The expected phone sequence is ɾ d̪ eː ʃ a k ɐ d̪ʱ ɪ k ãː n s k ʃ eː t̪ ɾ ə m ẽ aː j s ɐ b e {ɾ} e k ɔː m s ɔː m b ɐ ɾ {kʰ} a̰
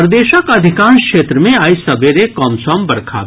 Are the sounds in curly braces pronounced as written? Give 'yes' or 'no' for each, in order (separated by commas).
yes, yes